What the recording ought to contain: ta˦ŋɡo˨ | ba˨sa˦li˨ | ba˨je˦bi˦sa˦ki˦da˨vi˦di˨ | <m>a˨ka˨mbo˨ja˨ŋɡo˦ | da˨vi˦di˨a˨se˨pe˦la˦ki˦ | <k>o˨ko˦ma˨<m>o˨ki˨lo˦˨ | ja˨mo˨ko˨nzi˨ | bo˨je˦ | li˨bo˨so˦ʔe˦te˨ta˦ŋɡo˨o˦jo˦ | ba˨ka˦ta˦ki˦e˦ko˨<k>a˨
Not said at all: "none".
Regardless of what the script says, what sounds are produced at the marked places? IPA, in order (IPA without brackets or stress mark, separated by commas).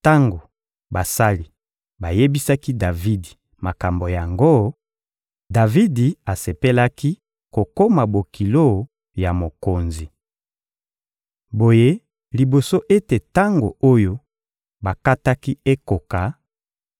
m, k, b, k